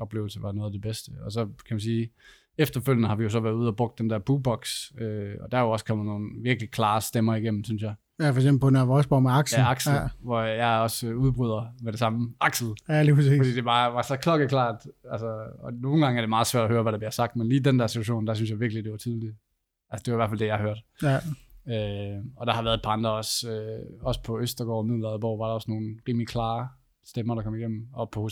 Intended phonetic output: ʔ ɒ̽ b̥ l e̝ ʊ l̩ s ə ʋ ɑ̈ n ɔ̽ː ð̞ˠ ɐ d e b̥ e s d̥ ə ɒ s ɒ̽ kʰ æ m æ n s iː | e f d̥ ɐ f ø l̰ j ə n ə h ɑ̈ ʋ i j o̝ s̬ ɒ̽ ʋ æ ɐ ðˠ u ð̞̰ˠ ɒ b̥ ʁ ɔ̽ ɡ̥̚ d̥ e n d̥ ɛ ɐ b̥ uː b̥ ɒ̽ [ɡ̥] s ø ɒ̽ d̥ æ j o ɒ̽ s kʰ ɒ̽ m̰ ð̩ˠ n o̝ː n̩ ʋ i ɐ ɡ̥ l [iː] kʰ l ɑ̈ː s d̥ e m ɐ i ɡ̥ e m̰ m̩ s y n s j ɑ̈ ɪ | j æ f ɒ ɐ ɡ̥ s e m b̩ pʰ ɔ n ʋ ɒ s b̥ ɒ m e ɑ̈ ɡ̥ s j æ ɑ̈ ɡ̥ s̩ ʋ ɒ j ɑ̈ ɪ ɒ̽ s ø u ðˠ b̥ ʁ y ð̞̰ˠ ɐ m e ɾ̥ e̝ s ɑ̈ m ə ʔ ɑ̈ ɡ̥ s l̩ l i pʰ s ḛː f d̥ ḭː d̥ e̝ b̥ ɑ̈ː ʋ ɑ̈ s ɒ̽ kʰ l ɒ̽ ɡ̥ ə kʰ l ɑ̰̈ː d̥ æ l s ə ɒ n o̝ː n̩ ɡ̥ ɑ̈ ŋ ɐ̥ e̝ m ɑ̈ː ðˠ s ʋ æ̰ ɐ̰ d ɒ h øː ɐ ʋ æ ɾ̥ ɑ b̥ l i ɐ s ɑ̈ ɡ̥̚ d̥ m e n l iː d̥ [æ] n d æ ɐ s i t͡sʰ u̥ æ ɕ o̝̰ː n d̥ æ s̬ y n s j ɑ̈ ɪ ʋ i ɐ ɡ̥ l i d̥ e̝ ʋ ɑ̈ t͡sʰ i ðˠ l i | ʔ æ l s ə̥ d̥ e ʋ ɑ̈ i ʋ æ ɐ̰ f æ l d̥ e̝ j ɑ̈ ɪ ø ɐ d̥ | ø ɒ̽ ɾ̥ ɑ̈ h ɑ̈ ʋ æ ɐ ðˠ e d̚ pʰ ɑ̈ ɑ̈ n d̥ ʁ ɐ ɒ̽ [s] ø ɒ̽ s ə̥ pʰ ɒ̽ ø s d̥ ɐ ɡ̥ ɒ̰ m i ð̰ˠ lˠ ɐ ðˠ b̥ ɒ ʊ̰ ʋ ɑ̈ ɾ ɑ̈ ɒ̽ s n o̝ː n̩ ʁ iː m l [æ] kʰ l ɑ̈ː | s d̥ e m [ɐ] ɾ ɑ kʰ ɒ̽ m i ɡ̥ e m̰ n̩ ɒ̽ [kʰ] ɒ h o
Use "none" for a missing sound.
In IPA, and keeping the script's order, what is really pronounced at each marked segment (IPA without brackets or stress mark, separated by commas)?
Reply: ɡ̥, i, e, s, i, ɐ, pʰ